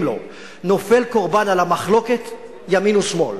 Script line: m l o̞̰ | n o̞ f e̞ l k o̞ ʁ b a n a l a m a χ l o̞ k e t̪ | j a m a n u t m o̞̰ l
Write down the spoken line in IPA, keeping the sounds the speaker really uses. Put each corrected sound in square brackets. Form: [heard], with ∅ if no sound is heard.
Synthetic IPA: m l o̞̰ | n o̞ f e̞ l k o̞ ʁ b a n a l a m a χ l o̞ k e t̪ | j a m [i] n u [s] m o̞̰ l